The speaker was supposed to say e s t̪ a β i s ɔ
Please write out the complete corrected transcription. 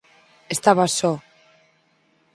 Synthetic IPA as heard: e s t̪ a β a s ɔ